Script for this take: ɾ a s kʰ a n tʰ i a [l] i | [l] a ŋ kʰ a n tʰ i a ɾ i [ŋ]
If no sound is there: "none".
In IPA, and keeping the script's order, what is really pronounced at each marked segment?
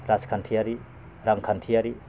ɾ, ɾ, none

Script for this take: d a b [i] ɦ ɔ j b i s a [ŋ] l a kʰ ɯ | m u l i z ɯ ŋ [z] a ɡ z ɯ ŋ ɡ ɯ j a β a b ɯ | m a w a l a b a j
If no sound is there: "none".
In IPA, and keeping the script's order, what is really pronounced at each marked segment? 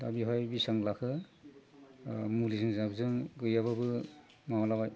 i, ŋ, z

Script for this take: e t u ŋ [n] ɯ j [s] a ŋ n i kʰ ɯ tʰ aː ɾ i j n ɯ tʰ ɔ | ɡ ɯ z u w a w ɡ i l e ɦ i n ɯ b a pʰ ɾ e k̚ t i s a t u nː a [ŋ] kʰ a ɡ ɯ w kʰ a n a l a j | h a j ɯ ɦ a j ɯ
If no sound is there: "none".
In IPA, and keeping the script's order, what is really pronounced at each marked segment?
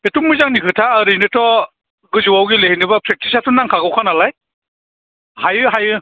m, z, ŋ

